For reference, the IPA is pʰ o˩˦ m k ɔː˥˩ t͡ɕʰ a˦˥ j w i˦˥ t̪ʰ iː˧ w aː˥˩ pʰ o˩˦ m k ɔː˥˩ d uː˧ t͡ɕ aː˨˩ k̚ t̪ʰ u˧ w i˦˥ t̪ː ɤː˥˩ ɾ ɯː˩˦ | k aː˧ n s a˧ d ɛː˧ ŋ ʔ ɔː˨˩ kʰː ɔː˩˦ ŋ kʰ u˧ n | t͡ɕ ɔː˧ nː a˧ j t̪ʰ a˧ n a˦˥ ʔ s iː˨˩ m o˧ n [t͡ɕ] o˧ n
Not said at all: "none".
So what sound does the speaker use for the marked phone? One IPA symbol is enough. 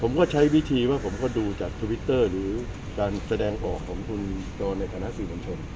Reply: t͡ɕʰ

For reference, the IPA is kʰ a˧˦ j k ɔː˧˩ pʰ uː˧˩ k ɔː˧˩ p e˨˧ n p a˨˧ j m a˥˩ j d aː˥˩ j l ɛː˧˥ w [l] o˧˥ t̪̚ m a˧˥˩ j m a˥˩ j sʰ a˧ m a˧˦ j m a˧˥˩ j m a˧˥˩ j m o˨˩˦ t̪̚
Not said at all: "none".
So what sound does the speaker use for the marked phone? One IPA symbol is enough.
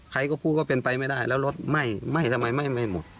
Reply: l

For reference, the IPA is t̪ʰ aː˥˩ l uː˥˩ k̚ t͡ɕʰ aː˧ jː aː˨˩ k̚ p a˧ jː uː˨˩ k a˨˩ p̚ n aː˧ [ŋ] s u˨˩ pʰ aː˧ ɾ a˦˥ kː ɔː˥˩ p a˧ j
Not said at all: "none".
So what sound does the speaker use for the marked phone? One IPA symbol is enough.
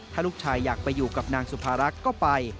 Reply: ŋ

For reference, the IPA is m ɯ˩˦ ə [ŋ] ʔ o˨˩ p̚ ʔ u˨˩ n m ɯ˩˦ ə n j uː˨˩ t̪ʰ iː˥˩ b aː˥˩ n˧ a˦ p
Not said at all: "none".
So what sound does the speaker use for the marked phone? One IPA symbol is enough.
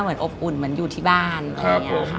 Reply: n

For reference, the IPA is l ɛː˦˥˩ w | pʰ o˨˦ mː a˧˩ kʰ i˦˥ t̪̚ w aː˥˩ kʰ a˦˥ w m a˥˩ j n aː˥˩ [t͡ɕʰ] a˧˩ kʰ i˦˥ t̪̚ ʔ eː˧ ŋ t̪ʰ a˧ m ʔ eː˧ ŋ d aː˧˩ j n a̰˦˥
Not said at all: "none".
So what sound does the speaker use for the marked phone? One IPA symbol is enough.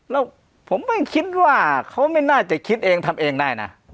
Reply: t͡ɕ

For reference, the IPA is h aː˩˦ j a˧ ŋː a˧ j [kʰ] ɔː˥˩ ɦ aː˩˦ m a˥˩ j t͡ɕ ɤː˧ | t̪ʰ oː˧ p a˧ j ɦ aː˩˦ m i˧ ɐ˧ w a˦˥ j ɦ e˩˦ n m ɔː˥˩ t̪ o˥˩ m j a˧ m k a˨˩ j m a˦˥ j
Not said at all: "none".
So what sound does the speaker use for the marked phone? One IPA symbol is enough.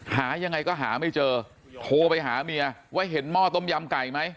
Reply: k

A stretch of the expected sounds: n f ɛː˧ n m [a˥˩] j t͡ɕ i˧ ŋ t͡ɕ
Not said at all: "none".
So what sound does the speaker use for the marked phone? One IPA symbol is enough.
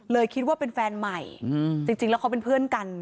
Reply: a˨˩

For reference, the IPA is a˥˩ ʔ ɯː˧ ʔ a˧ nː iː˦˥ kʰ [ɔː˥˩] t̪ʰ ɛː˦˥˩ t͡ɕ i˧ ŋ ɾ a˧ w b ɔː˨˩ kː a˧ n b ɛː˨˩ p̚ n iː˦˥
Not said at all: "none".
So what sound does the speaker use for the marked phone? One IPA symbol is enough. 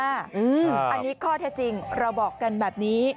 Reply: ɔː˥˩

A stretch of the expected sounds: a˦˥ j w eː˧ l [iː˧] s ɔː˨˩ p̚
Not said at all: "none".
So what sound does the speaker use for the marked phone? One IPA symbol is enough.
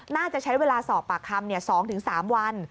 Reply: aː˧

